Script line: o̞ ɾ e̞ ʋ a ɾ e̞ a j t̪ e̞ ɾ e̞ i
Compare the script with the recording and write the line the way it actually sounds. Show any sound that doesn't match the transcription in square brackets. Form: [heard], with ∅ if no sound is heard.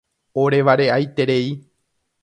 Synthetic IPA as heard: o̞ ɾ e̞ ʋ a ɾ e̞ a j t̪ e̞ ɾ e̞ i